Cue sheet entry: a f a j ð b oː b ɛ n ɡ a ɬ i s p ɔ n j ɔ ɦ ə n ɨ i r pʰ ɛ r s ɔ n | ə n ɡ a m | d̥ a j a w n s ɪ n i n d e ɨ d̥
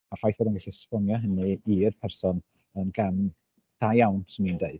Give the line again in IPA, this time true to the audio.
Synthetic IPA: a f a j θ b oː d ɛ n ɡ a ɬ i s p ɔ n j ɔ ɦ ə n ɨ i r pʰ ɛ r s ɔ n | ə n ɡ a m | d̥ a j a w n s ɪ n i n d e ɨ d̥